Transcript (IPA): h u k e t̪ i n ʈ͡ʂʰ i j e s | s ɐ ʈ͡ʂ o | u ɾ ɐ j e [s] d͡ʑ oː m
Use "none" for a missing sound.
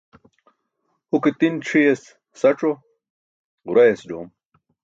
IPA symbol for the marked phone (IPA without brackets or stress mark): s